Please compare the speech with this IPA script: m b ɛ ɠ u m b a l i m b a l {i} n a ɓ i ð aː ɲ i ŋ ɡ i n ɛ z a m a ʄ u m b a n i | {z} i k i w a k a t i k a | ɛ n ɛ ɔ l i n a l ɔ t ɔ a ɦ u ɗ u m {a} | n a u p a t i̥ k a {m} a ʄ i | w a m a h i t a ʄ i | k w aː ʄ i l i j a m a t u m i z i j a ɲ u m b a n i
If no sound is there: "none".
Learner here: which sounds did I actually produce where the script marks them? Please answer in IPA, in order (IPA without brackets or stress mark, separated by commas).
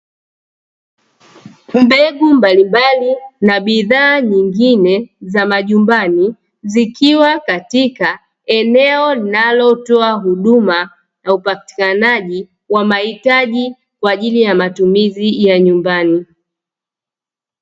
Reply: i, z, a, n